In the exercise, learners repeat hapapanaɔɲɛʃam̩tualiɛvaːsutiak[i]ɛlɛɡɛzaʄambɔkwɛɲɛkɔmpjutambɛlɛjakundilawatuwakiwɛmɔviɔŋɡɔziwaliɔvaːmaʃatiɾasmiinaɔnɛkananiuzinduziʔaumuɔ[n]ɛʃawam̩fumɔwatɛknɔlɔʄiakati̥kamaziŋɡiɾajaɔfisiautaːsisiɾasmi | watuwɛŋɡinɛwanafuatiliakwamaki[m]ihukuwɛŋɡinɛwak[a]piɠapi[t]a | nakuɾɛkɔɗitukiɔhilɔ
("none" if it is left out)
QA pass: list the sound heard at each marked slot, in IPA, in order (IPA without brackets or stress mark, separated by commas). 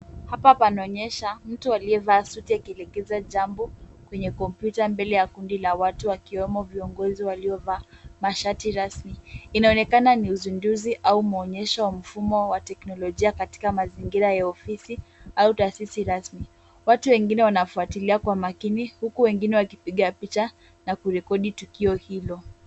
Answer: i, ɲ, n, i, t͡ʃ